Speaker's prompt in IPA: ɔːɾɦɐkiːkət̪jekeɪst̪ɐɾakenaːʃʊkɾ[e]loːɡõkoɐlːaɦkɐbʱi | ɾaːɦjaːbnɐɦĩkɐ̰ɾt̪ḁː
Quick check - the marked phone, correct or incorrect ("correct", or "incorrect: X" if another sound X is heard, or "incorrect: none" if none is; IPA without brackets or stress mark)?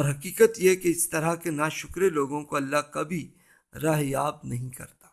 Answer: correct